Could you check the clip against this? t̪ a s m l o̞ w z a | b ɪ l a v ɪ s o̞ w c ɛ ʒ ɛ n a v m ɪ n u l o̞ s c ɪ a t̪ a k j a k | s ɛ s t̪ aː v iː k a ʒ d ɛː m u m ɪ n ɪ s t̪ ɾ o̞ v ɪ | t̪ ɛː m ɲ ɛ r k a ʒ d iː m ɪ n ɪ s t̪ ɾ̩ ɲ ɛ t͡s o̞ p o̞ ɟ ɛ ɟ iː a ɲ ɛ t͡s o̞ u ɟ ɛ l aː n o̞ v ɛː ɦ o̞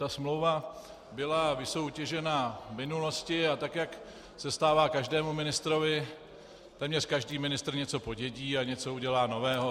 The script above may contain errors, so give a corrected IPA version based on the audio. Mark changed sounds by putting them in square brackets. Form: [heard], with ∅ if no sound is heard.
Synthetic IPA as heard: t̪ a s m l o̞ w [v] a | b ɪ l a v ɪ s o̞ w c ɛ ʒ ɛ n a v m ɪ n u l o̞ s c ɪ a t̪ a k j a k | s ɛ s t̪ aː v [aː] k a ʒ d ɛː m u m ɪ n ɪ s t̪ ɾ o̞ v ɪ | t̪ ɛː m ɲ ɛ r k a ʒ d iː m ɪ n ɪ s t̪ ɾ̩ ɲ ɛ t͡s o̞ p o̞ ɟ ɛ ɟ iː a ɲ ɛ t͡s o̞ u ɟ ɛ l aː n o̞ v ɛː ɦ o̞